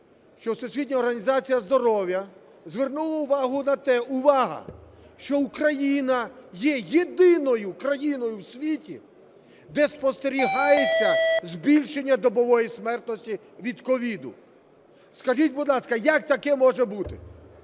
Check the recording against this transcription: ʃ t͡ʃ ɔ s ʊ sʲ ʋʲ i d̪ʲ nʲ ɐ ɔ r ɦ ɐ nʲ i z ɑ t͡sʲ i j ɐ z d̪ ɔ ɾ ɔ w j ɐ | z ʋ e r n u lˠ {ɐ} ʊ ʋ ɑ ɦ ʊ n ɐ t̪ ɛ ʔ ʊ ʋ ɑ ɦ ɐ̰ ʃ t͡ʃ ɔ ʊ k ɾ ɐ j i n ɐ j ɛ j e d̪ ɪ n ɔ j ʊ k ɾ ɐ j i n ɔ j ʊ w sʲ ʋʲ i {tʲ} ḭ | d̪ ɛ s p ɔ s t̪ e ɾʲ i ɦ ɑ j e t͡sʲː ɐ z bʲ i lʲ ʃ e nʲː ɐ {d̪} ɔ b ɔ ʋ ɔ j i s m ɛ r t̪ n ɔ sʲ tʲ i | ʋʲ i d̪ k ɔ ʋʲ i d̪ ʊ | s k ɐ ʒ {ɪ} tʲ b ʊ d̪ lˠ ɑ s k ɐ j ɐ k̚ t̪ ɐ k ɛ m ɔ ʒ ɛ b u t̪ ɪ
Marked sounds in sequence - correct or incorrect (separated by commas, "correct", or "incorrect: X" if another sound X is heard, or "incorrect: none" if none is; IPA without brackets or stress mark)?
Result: correct, correct, correct, incorrect: i